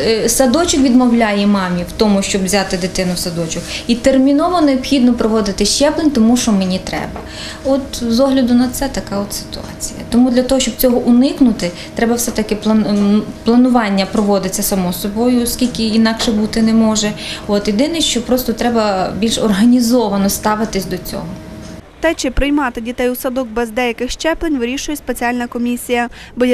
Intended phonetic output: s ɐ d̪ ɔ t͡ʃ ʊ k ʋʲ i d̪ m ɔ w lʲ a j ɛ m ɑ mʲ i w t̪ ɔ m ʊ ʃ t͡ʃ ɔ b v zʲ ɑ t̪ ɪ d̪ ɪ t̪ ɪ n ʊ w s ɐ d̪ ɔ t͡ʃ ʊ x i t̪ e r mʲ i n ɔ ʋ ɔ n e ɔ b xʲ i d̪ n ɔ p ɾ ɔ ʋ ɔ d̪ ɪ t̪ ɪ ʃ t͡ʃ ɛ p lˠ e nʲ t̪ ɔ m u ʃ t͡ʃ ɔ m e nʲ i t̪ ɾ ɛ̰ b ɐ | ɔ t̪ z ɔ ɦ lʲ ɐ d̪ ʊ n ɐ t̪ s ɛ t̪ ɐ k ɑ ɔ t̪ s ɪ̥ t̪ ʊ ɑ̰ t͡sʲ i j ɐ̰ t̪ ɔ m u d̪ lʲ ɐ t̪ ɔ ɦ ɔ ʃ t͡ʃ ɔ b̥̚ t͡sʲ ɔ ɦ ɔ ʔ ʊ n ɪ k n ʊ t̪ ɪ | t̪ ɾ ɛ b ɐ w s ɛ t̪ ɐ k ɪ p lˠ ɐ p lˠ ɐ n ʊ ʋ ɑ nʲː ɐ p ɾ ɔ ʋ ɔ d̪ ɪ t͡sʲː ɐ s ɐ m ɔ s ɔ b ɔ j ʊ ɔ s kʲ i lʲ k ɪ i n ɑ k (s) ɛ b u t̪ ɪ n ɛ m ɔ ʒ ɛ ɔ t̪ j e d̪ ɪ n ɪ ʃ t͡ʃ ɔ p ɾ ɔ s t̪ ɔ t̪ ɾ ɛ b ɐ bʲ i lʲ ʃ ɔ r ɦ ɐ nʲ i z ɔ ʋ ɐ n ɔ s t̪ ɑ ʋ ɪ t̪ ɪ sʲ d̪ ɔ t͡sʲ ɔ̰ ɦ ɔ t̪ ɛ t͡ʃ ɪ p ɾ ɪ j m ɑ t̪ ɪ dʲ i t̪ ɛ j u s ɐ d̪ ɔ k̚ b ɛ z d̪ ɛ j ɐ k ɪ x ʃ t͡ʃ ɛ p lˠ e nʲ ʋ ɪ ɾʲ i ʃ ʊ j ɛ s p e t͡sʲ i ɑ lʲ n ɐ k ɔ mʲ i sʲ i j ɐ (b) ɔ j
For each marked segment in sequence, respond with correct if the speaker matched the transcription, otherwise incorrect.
incorrect: ʃ, correct

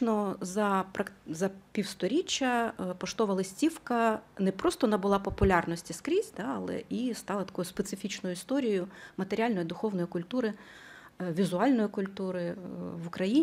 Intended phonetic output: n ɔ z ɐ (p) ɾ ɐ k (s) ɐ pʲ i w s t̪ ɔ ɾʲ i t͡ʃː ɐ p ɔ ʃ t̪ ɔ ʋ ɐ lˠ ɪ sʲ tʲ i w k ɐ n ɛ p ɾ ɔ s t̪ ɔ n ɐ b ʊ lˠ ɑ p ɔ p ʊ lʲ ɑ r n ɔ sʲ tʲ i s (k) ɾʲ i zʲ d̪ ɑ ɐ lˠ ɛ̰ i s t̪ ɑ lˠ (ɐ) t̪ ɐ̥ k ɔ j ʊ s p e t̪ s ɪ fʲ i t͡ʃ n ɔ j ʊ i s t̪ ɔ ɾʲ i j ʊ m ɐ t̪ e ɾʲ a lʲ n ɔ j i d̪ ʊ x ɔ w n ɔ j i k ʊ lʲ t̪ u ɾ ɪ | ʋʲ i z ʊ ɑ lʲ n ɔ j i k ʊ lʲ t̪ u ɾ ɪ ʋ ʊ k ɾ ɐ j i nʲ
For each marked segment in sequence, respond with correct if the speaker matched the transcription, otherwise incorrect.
correct, incorrect: z, correct, correct

